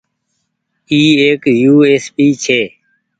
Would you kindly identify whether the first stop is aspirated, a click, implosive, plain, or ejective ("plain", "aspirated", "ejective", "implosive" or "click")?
plain